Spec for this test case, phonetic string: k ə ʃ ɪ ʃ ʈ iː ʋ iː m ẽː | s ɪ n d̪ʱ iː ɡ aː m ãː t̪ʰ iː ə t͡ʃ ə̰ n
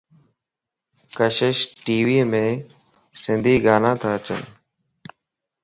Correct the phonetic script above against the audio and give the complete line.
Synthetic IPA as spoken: k ə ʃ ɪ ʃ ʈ iː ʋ iː m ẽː | s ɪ n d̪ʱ iː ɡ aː n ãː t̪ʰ aː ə t͡ʃ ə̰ n